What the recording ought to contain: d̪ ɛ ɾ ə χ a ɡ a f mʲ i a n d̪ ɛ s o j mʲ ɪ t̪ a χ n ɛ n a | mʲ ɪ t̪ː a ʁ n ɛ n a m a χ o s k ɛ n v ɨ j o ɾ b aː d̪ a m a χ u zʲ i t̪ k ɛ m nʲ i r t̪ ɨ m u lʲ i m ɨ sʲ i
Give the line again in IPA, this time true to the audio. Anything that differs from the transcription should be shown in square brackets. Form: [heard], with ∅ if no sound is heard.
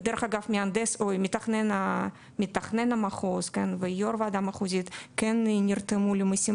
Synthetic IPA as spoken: d̪ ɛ ɾ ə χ a ɡ a f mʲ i a n d̪ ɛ s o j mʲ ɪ t̪ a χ n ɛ n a | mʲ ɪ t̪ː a [χ] n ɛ n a m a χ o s k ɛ n v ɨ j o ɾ [v] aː d̪ a m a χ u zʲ i t̪ k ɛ [n] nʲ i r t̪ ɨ m u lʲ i m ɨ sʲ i